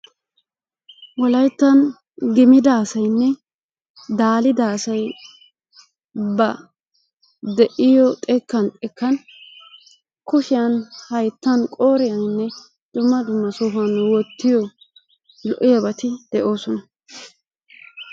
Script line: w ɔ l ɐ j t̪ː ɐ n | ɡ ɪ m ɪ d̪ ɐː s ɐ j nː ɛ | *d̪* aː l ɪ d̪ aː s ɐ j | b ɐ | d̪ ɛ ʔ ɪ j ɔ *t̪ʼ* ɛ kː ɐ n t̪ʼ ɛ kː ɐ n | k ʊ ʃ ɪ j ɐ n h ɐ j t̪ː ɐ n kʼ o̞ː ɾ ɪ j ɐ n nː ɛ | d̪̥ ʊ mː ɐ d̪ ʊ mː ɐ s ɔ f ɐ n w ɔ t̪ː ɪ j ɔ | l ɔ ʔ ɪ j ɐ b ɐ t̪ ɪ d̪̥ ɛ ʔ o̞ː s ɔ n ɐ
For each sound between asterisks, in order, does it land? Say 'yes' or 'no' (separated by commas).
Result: yes, yes